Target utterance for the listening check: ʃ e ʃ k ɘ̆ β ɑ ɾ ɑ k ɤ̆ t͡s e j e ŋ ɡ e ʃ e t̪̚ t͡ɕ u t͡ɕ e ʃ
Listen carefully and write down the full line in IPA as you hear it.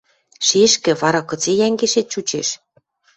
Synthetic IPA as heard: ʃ e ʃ k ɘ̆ β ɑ ɾ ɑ k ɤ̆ t͡s e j æ ŋ ɡ e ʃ e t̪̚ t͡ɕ u t͡ɕ e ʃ